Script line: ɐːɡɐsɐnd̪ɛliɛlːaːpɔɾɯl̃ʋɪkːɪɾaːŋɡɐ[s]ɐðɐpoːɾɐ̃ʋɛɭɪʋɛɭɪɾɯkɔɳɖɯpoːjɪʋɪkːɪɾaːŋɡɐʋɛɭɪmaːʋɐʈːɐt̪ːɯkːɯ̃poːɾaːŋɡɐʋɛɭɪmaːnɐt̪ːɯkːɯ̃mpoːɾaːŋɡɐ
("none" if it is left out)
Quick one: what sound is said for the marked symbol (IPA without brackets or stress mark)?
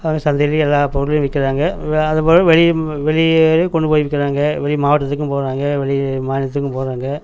none